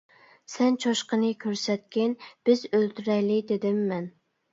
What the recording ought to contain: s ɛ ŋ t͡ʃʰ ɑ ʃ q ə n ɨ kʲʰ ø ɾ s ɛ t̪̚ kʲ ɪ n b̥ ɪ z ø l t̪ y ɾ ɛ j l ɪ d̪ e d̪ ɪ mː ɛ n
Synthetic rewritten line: s ɛ n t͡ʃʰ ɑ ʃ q ə n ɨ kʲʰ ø ɾ s ɛ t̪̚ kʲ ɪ n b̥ ɪ z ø l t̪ y ɾ ɛ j l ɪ d̪ e d̪ ɪ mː ɛ n